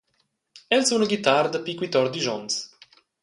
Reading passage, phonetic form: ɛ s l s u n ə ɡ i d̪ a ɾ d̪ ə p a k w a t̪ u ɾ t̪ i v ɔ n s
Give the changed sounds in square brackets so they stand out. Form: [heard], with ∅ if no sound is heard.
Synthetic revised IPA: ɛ [∅] l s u n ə ɡ i [t̪] a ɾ d̪ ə p [i] k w [i] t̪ [ɔ] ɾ [d̪] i [ʒ] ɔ n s